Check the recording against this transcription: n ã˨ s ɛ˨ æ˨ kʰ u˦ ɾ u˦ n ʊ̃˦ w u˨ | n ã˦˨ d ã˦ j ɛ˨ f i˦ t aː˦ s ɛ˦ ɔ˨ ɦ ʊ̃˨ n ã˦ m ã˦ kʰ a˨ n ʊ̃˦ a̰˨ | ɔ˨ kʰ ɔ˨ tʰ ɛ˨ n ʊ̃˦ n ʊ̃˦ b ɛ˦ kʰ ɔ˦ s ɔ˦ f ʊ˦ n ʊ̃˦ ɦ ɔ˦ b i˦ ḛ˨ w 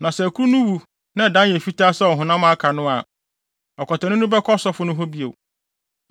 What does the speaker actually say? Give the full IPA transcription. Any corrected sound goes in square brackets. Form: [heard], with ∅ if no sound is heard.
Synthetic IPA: n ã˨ s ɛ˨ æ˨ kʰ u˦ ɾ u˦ n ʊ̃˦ w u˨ | n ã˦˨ d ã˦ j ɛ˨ f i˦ t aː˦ s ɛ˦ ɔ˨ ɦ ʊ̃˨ n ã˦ m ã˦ kʰ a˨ n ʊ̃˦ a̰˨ | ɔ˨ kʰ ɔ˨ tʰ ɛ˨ n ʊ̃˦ n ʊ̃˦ b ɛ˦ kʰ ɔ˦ s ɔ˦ f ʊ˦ n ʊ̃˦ ɦ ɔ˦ b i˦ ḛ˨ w